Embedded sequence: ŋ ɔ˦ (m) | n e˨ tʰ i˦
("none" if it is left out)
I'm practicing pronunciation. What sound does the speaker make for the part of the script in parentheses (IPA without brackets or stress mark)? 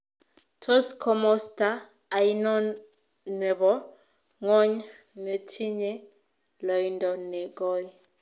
ɲ